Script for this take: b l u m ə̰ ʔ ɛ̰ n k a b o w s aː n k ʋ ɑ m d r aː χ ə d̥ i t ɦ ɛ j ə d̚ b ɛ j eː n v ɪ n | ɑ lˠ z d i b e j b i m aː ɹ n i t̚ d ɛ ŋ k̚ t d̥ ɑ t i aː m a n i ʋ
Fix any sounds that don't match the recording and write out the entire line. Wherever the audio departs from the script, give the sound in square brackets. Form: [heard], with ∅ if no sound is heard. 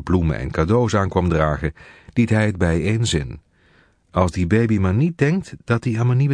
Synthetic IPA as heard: b l u m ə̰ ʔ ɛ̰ n k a [d] o w s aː n k ʋ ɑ m d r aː χ ə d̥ i t ɦ ɛ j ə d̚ b ɛ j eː n [z] ɪ n | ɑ lˠ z d i b e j b i m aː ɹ n i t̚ d ɛ ŋ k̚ t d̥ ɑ t i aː m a n i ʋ